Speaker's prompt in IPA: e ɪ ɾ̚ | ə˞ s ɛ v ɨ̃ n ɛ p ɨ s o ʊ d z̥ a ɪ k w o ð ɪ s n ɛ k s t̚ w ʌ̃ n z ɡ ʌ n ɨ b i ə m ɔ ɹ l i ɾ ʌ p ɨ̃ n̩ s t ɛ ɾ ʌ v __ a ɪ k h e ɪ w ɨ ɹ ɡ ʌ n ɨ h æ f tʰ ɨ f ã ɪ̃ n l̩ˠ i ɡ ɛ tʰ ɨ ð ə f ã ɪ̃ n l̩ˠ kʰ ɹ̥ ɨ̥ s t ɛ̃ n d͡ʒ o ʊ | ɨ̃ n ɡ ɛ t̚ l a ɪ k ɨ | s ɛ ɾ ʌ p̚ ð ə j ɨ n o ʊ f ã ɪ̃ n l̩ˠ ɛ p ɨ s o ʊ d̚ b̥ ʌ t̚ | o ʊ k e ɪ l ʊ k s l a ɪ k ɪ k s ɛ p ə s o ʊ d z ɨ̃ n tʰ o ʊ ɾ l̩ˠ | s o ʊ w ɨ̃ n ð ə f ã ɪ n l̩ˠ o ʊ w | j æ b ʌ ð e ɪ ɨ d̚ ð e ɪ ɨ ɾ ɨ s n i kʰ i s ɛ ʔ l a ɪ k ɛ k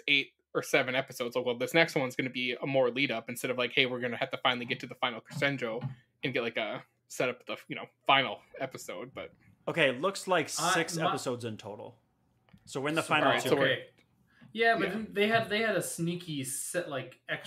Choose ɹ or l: l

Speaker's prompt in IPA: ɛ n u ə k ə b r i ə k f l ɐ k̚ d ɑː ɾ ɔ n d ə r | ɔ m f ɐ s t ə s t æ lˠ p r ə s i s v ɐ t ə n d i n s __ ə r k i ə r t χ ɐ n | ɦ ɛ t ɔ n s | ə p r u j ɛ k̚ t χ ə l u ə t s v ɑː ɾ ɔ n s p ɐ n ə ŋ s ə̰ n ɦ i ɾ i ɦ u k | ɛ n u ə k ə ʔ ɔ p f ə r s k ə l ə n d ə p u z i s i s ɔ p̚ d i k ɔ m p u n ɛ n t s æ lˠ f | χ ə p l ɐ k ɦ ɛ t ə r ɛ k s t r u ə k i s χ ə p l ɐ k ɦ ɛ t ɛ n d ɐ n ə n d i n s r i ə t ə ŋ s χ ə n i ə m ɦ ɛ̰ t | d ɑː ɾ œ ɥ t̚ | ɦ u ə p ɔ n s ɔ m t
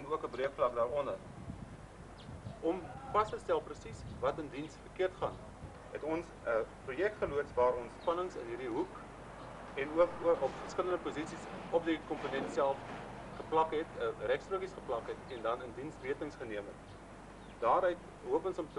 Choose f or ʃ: f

